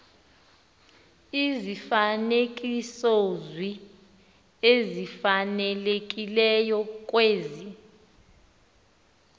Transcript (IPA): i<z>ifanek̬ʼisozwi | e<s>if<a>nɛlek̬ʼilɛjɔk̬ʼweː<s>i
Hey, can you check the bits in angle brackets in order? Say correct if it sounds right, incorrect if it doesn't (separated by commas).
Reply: correct, incorrect, correct, incorrect